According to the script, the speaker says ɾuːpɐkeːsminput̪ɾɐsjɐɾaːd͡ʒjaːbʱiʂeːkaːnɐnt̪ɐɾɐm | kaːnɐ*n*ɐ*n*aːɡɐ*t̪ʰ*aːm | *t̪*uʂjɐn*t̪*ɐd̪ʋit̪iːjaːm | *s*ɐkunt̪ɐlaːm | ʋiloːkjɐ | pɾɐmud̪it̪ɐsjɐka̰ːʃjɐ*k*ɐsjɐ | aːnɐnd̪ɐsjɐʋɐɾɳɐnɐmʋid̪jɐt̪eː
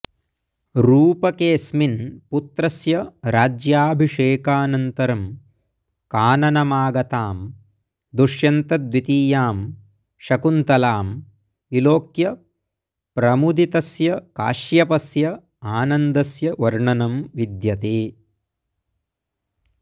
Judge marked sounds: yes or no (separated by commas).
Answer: yes, no, no, no, yes, no, no